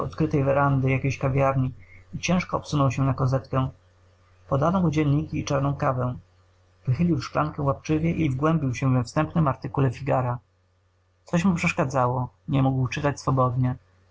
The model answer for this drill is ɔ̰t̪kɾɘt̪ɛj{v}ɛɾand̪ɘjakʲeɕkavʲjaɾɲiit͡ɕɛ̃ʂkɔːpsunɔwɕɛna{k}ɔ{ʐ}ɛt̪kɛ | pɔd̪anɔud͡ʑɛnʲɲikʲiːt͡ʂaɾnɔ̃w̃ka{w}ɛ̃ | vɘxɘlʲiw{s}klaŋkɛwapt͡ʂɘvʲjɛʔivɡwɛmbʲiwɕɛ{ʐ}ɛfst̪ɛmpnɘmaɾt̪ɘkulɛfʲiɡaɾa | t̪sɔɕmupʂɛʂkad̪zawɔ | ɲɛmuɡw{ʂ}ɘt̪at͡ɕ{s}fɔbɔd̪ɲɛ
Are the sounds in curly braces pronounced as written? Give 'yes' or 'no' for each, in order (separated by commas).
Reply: yes, yes, no, no, no, no, no, yes